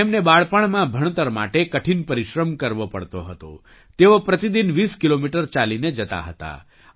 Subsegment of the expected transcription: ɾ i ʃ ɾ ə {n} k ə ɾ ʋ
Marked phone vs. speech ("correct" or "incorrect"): incorrect